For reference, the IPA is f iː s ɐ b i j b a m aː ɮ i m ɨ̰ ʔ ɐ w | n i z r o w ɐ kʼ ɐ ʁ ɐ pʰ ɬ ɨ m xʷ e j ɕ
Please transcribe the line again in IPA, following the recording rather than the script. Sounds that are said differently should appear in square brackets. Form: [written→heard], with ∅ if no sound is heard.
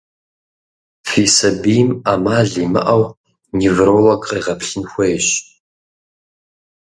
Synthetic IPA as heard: f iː s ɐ b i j [b→m] a m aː ɮ i m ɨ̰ ʔ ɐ w | n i [z→v] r o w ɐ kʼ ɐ ʁ ɐ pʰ ɬ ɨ [m→n] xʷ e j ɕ